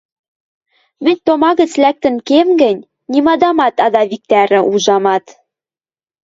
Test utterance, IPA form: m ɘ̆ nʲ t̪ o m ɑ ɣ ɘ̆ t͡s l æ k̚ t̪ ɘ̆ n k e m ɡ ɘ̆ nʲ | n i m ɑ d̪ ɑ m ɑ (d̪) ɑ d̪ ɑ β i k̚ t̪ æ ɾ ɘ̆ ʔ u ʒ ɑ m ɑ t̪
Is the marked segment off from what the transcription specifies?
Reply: yes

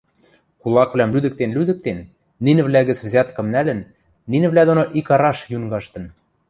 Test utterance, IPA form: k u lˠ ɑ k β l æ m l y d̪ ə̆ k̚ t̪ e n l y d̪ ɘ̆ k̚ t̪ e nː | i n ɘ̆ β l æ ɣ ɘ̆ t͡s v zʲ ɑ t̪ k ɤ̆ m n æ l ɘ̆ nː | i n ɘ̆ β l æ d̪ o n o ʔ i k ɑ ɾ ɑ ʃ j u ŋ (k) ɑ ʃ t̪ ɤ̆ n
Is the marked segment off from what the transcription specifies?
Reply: yes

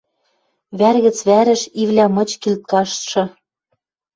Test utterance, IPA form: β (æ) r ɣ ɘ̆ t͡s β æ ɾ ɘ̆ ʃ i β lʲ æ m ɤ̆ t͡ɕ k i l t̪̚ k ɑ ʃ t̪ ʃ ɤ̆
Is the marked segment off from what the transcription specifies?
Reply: no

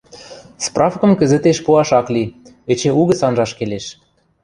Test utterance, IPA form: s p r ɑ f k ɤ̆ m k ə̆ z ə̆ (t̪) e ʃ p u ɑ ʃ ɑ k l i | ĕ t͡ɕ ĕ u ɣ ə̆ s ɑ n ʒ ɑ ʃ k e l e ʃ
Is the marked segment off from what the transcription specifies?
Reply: no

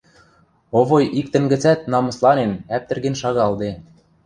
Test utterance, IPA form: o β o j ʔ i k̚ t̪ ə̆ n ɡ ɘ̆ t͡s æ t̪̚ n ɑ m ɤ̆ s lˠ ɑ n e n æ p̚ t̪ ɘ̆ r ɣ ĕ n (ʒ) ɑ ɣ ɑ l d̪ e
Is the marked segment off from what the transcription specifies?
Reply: yes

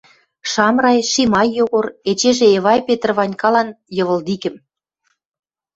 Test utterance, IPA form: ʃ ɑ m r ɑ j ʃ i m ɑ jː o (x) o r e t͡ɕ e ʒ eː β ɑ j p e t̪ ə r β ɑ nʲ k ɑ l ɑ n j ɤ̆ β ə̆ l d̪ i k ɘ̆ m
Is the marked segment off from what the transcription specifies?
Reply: yes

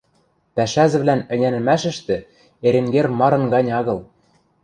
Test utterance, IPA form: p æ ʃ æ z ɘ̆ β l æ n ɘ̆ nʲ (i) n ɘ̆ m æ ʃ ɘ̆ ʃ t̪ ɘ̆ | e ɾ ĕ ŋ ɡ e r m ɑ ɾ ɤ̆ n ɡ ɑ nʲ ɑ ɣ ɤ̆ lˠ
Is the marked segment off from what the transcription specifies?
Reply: yes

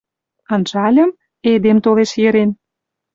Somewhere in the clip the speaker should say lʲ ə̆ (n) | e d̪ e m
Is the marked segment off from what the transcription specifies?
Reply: yes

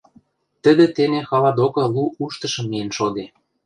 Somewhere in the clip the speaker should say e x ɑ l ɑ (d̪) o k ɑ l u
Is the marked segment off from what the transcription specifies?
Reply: no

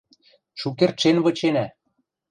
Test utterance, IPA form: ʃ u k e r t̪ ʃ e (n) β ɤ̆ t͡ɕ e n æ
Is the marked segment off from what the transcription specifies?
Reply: no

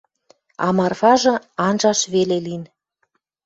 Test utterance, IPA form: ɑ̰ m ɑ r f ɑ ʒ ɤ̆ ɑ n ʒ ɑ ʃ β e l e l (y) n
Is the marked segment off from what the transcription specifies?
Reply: yes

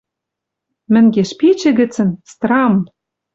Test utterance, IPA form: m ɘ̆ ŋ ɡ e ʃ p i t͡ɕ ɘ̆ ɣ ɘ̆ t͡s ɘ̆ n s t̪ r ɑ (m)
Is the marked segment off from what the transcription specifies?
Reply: no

